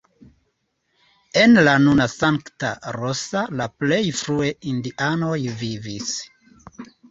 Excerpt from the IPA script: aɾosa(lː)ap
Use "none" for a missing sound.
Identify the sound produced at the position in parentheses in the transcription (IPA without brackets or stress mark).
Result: l